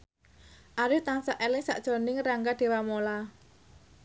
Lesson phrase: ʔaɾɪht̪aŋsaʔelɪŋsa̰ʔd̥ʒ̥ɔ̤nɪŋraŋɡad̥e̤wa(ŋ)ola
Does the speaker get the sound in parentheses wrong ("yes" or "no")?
yes